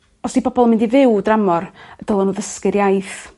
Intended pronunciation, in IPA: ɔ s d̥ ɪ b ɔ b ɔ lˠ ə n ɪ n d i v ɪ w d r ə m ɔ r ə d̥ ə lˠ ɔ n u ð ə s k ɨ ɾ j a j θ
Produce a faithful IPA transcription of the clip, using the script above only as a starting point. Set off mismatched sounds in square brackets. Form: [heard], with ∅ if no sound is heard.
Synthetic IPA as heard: ɔ s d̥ [i] b ɔ b ɔ lˠ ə [m] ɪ n d i v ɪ w d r [a] m ɔ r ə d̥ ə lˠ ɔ n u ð ə s k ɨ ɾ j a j θ